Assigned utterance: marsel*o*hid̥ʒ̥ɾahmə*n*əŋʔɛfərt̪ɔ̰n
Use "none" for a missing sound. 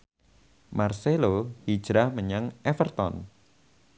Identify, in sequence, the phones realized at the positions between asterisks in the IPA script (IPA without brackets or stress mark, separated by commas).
o, ɲ